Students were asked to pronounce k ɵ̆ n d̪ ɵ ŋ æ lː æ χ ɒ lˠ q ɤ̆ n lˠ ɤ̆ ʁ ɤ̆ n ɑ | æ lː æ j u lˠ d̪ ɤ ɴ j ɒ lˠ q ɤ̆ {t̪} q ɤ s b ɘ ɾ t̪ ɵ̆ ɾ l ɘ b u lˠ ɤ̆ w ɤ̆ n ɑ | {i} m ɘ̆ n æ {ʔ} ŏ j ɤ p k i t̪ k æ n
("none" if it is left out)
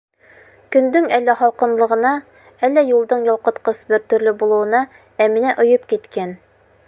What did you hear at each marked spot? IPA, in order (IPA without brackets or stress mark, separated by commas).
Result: t̪, æ, ʔ